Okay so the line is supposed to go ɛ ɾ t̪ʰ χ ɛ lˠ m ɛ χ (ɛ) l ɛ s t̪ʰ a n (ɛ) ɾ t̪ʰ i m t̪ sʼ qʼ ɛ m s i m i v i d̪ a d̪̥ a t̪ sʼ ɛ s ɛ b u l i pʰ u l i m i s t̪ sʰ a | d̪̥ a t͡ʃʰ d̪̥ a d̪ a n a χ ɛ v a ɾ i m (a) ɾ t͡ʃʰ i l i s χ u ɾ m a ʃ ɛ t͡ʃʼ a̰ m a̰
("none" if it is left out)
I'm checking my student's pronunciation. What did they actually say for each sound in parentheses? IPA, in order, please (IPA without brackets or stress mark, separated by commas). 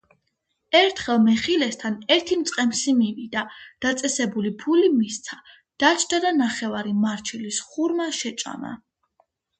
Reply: i, ɛ, a